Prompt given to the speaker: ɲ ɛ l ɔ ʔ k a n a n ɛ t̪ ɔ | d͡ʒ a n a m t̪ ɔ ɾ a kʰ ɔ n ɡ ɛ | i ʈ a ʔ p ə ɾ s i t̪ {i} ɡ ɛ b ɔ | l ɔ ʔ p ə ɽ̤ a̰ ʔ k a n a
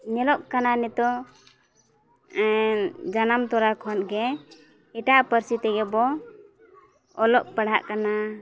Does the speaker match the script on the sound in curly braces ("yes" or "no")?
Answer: no